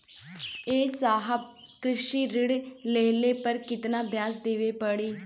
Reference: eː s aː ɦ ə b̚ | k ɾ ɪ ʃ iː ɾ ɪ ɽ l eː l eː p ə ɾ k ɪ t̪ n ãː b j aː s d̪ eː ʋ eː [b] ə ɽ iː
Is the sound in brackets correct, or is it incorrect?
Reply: incorrect